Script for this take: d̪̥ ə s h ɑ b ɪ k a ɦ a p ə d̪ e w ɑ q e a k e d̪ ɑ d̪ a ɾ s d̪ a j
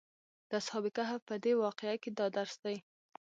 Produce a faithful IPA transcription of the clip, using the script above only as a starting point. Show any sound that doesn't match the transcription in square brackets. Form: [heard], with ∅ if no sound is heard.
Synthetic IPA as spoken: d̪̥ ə s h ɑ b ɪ k a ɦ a p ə d̪ e w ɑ q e a k e d̪ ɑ d̪ a ɾ s d̪ a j